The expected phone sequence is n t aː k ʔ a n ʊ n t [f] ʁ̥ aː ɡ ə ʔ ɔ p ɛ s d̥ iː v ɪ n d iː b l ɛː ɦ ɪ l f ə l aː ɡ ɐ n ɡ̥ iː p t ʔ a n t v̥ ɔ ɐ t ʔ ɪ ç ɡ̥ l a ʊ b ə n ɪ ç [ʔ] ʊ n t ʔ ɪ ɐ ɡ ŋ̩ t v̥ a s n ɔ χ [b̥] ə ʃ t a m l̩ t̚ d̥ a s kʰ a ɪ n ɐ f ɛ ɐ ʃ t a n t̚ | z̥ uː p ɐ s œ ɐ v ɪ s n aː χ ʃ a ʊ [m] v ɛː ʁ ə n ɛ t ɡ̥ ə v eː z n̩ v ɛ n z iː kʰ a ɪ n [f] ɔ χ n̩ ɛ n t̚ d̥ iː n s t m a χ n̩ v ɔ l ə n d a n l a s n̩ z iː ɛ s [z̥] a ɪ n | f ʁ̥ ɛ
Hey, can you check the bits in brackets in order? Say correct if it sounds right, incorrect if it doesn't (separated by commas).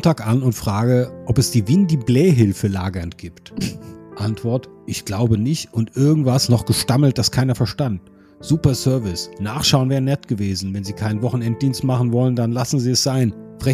correct, incorrect, incorrect, incorrect, incorrect, correct